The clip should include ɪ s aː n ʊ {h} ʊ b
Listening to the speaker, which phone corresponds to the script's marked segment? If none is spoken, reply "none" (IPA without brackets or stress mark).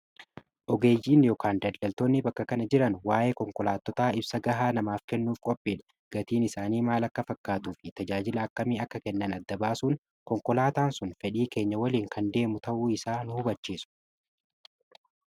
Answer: h